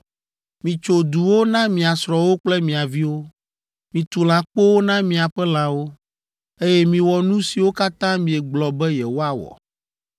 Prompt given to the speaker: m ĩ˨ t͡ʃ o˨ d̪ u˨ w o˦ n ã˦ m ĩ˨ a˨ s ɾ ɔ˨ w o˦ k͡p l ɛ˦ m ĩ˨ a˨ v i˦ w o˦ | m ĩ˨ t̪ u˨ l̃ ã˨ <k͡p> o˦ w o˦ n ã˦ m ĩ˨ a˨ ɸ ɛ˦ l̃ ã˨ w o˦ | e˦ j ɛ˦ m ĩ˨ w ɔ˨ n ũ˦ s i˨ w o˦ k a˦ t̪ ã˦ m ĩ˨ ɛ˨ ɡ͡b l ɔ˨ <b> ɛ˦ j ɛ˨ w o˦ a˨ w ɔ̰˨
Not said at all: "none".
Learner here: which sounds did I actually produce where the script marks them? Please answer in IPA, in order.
k͡p, b

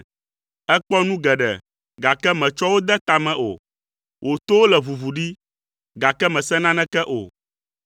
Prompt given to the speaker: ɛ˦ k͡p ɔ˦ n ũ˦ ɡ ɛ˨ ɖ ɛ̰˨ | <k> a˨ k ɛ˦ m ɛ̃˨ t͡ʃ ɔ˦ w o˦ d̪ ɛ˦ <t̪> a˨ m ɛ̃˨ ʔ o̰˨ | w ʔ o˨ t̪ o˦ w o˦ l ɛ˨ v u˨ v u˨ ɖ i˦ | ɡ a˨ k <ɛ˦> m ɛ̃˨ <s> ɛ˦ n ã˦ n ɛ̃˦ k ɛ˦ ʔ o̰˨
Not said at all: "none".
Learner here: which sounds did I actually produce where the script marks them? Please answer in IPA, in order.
ɡ, t̪, ɛ˦, s

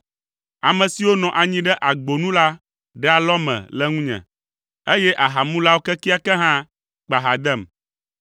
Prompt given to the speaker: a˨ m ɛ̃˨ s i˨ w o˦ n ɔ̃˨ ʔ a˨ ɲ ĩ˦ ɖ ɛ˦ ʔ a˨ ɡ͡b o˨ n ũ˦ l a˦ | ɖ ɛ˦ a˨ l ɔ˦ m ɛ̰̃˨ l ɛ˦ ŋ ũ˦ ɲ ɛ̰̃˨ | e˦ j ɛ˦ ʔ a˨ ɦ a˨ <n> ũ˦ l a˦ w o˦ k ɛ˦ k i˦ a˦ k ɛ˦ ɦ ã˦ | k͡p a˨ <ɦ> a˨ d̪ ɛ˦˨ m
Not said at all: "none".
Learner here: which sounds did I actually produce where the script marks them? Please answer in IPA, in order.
m, ɦ

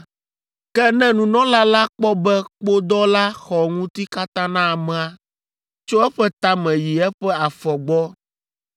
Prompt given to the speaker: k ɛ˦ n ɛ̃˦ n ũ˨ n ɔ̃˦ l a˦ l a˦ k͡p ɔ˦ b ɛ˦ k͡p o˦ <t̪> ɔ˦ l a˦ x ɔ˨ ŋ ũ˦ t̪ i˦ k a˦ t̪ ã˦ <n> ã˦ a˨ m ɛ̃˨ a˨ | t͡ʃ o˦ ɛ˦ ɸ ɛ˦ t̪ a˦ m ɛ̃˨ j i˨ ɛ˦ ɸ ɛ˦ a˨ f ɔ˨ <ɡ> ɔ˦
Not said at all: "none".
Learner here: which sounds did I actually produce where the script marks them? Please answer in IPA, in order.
d̪, n, ɡ͡b

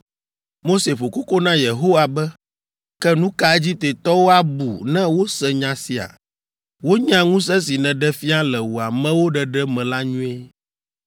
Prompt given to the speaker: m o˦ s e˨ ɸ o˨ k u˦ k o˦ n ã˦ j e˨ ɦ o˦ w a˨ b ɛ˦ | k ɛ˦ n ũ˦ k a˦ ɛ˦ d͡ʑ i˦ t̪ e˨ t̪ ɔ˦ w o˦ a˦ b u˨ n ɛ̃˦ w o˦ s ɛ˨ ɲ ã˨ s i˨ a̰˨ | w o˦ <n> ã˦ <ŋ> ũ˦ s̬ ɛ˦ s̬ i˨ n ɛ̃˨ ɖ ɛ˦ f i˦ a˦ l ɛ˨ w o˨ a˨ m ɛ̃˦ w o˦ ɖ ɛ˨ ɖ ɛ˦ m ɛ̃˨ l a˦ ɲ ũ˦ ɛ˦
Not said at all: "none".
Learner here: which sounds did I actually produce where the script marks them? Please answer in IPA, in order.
ɲ, ŋ

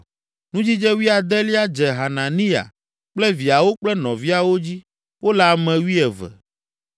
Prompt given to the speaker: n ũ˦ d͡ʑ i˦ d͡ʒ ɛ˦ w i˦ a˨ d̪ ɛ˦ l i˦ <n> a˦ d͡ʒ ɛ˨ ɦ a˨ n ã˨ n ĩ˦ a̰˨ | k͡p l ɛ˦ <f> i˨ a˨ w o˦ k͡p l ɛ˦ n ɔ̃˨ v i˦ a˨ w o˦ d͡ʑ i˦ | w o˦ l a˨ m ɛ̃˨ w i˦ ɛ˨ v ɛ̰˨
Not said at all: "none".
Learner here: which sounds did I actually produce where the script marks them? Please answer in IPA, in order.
none, v

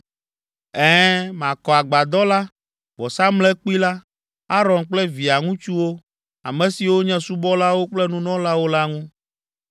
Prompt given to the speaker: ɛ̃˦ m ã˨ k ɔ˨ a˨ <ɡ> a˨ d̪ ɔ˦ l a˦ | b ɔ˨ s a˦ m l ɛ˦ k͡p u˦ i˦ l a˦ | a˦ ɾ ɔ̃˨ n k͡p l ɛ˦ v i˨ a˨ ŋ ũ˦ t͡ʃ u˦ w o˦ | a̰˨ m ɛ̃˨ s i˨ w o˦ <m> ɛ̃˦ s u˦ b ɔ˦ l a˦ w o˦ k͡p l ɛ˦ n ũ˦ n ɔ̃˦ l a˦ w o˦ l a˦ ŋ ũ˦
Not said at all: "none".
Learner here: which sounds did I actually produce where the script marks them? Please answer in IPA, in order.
ɡ͡b, ɲ

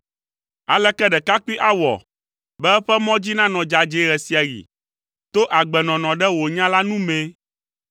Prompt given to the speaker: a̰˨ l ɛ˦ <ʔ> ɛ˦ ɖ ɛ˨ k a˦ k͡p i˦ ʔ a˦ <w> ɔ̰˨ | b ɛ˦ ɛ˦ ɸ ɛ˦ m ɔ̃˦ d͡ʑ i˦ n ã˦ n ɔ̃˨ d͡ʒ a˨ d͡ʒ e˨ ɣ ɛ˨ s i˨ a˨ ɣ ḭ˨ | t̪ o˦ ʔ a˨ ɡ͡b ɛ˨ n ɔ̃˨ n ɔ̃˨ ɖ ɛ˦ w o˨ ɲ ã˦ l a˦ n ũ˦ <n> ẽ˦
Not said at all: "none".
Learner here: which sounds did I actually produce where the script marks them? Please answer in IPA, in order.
k, w, m

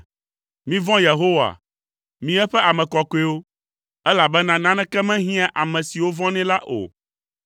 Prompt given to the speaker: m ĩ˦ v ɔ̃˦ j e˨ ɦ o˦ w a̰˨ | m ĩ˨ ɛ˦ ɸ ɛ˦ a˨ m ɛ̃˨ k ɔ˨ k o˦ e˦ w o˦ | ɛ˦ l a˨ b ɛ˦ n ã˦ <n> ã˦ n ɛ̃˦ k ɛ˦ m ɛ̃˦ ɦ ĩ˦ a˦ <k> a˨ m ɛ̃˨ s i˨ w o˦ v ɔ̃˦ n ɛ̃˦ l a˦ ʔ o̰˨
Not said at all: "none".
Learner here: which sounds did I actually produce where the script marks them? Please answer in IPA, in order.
n, ʔ

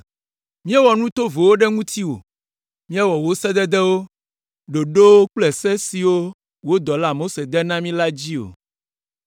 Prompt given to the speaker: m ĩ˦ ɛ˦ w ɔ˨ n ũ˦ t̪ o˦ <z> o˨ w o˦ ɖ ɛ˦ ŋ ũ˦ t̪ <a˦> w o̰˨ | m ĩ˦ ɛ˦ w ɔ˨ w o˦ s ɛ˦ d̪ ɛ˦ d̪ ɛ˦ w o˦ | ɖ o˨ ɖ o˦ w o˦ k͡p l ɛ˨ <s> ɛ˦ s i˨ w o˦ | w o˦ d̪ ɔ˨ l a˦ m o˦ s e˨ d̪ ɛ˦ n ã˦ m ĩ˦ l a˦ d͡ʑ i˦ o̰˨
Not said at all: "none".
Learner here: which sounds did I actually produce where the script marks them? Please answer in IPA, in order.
v, i˦, s

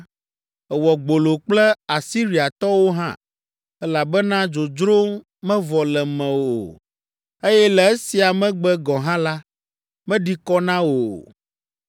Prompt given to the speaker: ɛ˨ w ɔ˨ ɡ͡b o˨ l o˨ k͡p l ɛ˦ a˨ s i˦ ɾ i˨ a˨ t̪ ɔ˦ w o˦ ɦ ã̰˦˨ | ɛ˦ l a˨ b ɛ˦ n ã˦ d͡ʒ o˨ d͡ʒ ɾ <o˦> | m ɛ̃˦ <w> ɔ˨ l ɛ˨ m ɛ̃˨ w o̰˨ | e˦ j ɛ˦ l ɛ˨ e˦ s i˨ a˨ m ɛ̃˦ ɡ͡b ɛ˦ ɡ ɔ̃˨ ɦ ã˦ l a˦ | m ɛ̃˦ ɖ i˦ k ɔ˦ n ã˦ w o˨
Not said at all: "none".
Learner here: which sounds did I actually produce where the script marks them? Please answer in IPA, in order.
o˦, v

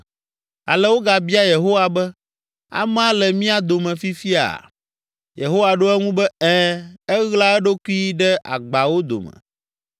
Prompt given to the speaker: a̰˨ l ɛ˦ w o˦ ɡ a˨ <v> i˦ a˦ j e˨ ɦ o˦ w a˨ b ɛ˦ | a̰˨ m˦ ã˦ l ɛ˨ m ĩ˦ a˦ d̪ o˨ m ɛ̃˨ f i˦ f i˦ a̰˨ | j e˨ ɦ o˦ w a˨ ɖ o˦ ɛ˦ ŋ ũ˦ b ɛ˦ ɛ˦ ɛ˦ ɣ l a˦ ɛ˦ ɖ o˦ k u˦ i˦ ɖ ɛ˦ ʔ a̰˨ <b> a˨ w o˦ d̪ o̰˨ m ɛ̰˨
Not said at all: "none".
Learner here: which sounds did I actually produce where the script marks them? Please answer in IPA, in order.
b, ɡ͡b

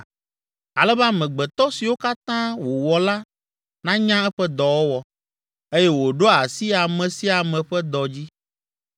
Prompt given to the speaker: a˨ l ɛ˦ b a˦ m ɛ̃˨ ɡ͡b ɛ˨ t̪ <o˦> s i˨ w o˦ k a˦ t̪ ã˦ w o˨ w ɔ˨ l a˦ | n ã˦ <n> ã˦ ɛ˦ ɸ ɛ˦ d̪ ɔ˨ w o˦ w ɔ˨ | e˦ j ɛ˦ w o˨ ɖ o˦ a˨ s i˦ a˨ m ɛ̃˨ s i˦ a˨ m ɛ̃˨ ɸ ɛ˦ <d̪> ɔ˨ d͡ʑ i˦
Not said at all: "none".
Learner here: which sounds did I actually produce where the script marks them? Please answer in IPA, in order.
ɔ˦, ɲ, d̪

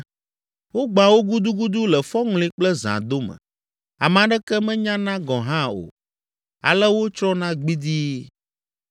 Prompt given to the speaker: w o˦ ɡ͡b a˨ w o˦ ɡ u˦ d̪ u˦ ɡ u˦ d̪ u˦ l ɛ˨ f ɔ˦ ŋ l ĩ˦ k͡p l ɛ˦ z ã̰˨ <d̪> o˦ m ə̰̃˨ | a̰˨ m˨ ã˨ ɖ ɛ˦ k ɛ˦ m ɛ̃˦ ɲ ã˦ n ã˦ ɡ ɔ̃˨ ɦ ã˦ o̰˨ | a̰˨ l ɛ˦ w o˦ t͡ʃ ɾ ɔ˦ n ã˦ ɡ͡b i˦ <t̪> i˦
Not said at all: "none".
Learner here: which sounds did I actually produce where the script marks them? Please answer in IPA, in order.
d̪, d̪

